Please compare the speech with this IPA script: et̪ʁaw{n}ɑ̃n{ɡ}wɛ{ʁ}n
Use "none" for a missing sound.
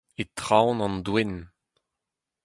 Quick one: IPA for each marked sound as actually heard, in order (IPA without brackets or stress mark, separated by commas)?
n, d, none